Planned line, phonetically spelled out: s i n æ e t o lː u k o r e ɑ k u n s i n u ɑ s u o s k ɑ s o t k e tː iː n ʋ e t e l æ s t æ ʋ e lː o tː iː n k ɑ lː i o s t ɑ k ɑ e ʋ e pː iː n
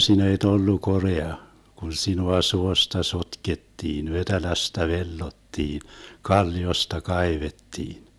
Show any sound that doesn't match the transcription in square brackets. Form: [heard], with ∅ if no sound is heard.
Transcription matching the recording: s i n æ e t o lː u k o r e ɑ k u n s i n u ɑ s u o s [t] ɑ s o t k e tː iː n ʋ e t e l æ s t æ ʋ e lː o tː iː n k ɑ lː i o s t ɑ k ɑ [i] ʋ e [tː] iː n